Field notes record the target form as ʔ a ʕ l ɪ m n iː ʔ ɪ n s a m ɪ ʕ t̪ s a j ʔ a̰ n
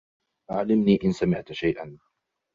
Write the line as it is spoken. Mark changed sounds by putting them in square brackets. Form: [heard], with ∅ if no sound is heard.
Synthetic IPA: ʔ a ʕ l ɪ m n iː ʔ ɪ n s a m ɪ ʕ t̪ [ʃ] a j ʔ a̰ n